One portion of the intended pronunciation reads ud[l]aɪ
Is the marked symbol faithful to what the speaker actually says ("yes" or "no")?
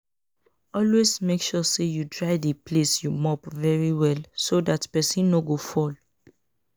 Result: no